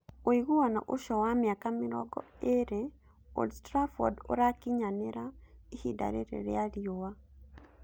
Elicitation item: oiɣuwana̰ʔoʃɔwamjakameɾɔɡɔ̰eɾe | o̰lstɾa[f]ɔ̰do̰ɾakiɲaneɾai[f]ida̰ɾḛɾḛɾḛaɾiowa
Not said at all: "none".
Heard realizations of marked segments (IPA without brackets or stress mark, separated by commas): f, h